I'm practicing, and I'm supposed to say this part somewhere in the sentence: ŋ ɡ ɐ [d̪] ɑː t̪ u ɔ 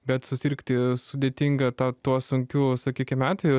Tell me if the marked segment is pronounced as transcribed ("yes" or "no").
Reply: no